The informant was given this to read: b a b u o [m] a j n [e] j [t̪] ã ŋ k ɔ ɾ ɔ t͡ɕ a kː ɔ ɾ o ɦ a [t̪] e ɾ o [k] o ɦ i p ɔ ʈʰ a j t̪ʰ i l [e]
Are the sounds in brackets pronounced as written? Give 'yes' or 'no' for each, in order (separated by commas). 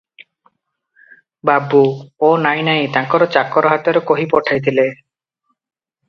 no, no, yes, yes, yes, yes